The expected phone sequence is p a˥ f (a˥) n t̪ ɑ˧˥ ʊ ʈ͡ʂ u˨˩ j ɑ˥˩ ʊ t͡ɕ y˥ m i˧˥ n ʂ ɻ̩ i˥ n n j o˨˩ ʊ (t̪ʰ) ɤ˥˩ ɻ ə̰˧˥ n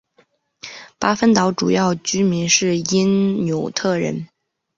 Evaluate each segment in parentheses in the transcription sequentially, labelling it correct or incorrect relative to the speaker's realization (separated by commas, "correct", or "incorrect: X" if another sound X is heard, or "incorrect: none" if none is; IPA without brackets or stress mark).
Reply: incorrect: ə˥, correct